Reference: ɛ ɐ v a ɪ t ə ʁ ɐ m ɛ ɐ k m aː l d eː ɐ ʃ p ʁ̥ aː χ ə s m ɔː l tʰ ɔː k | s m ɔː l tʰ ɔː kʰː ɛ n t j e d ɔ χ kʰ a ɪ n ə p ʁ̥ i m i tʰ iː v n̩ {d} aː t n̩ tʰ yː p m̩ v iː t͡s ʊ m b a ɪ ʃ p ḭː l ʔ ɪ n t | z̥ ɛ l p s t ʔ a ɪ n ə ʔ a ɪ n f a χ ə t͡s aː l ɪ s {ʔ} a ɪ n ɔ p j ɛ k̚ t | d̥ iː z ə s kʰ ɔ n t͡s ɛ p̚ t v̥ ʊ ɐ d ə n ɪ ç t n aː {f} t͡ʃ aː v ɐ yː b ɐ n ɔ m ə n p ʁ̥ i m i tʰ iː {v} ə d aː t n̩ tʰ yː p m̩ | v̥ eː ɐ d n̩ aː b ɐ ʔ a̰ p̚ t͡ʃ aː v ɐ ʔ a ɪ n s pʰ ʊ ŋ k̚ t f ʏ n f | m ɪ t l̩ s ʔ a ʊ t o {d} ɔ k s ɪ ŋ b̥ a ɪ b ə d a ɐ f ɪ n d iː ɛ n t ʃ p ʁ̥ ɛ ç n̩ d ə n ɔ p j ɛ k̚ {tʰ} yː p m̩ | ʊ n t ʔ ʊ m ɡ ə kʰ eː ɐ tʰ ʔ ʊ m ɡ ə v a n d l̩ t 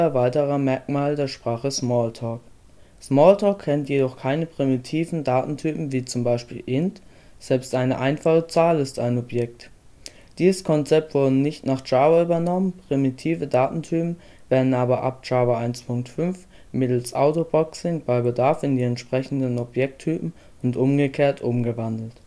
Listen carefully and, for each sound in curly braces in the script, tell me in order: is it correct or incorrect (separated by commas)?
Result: correct, incorrect, incorrect, correct, incorrect, correct